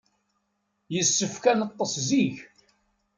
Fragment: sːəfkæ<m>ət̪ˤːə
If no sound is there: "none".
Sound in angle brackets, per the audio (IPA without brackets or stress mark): n